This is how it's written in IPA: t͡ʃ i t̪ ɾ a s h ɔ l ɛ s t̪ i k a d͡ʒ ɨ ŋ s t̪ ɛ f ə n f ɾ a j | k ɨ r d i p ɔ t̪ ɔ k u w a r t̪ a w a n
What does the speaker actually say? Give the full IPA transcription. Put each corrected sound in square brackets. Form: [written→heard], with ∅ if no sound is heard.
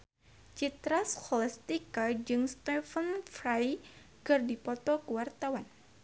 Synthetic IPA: t͡ʃ i t̪ ɾ a s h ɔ l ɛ s t̪ i k a d͡ʒ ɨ ŋ s t̪ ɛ f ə n f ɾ a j | k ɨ r d i p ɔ t̪ ɔ k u w a r t̪ a w a n